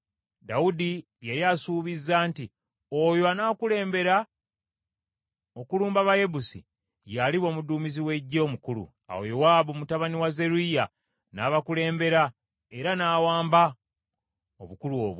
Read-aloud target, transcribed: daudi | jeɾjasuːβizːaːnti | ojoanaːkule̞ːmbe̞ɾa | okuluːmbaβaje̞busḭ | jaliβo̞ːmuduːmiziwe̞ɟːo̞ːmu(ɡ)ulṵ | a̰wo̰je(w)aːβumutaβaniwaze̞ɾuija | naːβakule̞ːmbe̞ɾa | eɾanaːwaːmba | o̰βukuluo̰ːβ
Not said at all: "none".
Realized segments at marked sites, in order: k, w

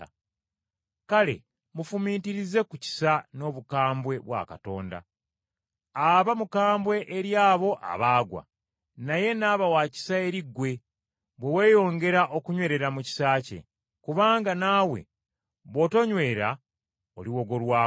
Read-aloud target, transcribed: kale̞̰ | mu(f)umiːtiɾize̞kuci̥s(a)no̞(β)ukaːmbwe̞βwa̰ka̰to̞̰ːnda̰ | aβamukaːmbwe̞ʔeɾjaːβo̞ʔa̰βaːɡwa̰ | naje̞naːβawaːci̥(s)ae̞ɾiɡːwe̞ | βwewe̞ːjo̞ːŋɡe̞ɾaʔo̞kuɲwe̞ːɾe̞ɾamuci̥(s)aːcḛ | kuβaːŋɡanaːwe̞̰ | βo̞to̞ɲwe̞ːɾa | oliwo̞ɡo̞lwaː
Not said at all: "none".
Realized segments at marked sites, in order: f, a, β, s, s

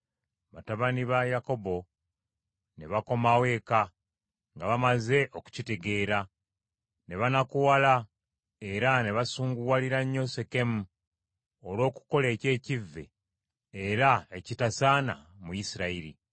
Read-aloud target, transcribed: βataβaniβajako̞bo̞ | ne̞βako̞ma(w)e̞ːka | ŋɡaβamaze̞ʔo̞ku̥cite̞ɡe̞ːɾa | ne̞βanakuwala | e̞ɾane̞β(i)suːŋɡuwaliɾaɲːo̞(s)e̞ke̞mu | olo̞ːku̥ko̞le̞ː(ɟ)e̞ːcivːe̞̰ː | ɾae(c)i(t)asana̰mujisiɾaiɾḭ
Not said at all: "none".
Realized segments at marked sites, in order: w, a, s, c, c, t

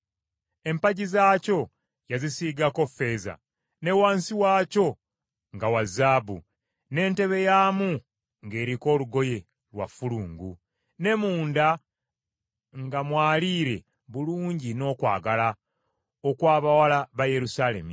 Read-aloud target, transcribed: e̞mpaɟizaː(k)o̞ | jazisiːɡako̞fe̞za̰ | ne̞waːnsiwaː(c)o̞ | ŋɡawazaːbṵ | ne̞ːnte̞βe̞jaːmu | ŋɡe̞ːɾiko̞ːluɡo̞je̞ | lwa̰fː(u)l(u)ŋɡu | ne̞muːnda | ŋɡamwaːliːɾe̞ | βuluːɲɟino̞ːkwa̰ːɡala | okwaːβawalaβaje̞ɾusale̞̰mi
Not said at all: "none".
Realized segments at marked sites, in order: c, c, u, uː

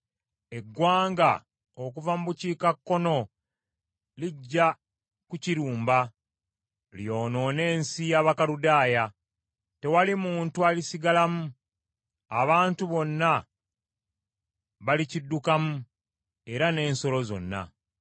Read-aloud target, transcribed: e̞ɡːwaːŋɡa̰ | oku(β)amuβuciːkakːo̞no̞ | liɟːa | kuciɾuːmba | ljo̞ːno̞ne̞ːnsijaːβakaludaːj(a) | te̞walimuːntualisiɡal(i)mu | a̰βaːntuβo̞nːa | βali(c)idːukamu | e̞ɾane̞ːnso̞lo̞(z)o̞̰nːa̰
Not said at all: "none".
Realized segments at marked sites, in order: v, a, a, c, z

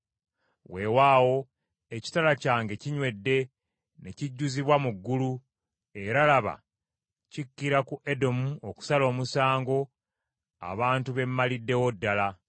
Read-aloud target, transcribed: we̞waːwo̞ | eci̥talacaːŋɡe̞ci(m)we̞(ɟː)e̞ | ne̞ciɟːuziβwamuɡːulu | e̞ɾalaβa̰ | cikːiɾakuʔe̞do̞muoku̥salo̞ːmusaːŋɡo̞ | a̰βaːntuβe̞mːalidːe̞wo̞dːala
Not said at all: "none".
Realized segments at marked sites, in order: ɲ, dː

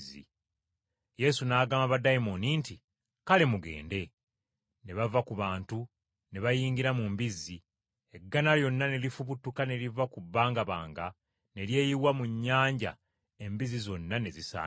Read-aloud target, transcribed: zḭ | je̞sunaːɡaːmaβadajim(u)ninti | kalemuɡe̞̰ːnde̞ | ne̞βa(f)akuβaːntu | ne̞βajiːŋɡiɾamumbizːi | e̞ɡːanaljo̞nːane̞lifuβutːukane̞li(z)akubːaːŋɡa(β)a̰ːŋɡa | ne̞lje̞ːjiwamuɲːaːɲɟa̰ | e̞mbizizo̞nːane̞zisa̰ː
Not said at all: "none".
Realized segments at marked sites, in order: o, v, v, β

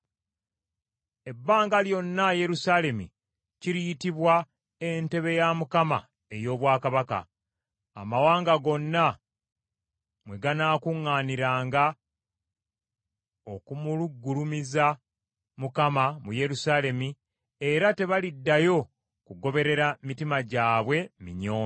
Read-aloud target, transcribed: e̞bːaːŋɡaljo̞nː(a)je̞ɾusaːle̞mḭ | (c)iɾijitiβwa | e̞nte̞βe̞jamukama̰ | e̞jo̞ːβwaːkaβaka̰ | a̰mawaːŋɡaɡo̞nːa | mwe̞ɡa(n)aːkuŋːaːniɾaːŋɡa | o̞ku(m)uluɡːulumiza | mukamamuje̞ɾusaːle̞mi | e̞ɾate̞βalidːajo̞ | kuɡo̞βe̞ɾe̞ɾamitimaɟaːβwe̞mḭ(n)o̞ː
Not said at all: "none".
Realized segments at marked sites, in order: a, c, n, m, ɲ

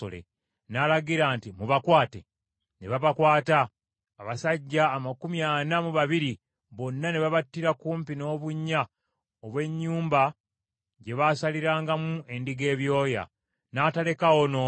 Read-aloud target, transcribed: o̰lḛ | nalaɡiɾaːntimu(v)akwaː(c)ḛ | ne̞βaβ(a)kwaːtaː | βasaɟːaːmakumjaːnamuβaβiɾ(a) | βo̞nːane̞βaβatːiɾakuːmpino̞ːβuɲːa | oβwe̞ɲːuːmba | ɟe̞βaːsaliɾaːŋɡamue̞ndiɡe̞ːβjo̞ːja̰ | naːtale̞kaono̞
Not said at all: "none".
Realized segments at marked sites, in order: β, t, a, i

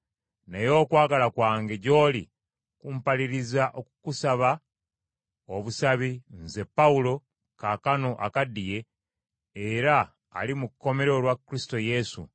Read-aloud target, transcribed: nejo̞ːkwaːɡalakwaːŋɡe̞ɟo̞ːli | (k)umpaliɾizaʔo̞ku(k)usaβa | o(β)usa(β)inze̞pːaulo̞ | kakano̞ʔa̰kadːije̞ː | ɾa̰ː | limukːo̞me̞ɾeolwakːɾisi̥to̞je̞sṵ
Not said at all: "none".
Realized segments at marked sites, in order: k, k, β, β

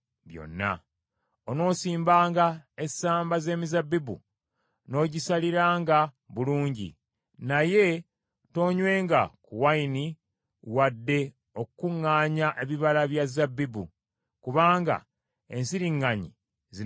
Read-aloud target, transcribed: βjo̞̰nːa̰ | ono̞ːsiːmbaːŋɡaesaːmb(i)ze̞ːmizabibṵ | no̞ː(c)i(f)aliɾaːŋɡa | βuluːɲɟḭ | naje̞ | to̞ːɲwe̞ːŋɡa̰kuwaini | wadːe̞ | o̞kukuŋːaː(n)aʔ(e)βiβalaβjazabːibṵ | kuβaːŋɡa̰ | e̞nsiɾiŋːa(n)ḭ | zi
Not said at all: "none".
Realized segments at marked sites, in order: a, ɟ, s, ɲ, e, ɲ

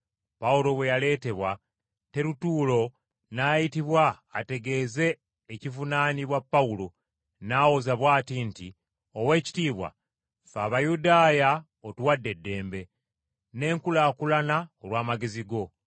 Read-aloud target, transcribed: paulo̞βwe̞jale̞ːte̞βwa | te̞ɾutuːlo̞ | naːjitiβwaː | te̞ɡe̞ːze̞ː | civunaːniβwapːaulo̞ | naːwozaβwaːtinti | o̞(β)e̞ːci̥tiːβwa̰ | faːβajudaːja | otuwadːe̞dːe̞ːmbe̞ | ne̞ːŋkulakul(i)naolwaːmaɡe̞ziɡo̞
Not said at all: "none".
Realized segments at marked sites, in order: w, a

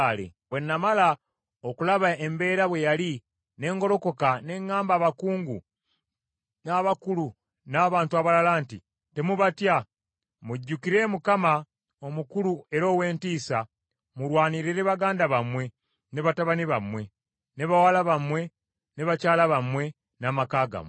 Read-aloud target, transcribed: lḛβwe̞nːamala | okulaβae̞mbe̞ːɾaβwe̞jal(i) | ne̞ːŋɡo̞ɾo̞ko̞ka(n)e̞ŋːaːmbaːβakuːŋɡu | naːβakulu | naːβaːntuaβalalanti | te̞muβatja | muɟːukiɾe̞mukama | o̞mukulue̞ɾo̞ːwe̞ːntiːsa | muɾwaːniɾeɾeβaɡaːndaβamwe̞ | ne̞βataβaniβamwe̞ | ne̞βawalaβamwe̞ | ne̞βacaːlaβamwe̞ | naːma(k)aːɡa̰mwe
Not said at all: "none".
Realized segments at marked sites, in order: i, n, k

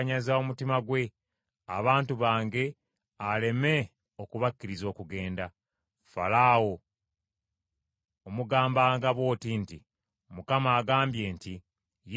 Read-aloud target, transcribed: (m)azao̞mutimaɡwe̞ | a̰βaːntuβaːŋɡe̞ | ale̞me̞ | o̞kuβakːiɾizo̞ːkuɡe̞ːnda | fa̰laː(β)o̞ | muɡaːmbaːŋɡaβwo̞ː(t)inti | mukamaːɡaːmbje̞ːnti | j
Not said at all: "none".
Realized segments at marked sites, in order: ɲ, w, t

